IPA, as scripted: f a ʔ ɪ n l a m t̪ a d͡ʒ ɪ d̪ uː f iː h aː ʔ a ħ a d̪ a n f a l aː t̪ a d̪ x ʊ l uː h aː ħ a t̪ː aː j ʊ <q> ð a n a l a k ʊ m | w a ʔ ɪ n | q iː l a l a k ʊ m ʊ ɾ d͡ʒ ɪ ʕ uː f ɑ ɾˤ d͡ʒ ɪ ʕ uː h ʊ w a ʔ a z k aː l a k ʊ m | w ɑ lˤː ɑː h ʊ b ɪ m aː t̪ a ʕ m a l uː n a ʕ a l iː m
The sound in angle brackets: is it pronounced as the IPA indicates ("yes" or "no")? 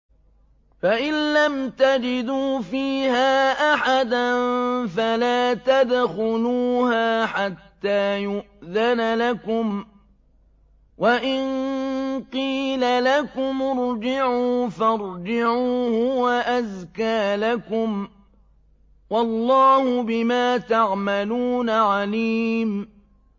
no